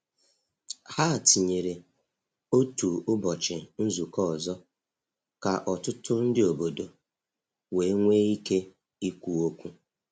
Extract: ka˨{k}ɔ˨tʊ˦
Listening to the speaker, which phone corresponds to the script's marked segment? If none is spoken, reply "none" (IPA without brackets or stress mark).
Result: ʔ